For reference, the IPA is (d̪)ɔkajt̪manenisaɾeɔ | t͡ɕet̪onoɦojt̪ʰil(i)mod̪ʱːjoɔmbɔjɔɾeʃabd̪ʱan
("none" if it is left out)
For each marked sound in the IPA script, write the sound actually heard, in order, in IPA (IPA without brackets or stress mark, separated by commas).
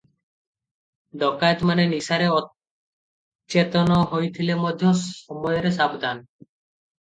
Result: d̪, e